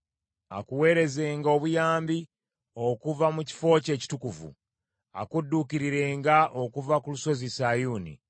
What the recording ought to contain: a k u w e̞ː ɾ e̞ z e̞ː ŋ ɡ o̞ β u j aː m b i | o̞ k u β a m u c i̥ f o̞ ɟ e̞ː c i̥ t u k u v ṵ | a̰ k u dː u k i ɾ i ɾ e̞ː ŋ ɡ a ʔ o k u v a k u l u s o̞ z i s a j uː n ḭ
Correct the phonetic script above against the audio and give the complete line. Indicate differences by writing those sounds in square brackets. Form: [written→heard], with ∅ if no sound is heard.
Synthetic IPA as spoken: a k u w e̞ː ɾ e̞ z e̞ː ŋ ɡ o̞ β u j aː m b i | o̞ k u [β→v] a m u c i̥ f o̞ [ɟ→c] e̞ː c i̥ t u k u v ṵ | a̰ k u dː u k i ɾ i ɾ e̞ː ŋ ɡ a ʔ o k u v a k u l u s o̞ z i s a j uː n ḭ

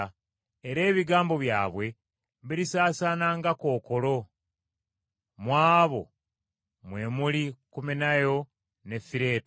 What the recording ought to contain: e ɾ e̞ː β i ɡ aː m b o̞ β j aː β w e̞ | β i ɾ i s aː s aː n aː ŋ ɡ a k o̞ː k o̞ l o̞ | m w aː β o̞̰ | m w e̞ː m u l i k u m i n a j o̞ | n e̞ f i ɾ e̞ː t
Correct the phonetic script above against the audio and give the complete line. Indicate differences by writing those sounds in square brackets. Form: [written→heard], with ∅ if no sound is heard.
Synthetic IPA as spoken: e ɾ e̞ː β i ɡ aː m b o̞ β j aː β w e̞ | β i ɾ i s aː s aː n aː ŋ ɡ a k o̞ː k o̞ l o̞ | m w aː β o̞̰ | m w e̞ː m u l i k u m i n a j o̞ | n e̞ f i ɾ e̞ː t

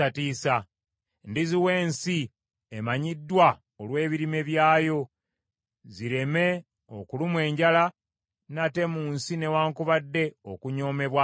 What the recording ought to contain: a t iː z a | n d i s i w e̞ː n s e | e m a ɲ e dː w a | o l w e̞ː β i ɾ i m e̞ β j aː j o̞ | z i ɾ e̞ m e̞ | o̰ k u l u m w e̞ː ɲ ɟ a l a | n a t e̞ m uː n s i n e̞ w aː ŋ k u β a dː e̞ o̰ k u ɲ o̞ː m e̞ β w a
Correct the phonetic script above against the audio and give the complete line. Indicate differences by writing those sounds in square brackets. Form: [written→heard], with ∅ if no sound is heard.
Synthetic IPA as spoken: a t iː [z→s] a | n d i [s→z] i w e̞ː n s [e→i] | e m a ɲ [e→i] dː w a | o l w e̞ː β i ɾ i m e̞ β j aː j o̞ | z i ɾ e̞ m e̞ | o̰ k u l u m w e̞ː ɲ ɟ a l a | n a t e̞ m uː n s i n e̞ w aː ŋ k u β a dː e̞ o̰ k u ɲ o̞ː m e̞ β w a

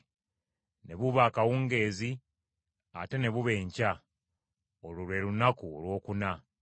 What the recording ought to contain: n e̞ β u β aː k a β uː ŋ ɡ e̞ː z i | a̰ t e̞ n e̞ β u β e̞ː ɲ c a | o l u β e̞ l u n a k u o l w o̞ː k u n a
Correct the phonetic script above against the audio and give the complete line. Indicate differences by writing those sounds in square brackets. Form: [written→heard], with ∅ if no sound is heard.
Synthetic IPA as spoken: n e̞ β u β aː k a [β→w] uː ŋ ɡ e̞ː z i | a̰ t e̞ n e̞ β u β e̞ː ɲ c a | o l u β e̞ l u n a k u o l w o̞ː k u n a

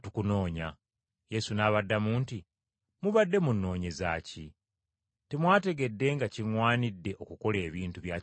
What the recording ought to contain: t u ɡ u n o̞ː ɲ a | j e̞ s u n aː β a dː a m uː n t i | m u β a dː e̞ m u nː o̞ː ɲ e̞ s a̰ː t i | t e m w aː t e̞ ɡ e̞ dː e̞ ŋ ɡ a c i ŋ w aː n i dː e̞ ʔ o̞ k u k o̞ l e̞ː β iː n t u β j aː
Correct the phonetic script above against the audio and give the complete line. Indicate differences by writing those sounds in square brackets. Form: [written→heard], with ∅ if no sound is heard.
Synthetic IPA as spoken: t u [ɡ→k] u n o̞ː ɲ a | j e̞ s u n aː β a dː a m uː n t i | m u β a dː e̞ m u nː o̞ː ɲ e̞ [s→z] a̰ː [t→c] i | t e m w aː t e̞ ɡ e̞ dː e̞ ŋ ɡ a c i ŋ w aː n i dː e̞ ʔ o̞ k u k o̞ l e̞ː β iː n t u β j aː

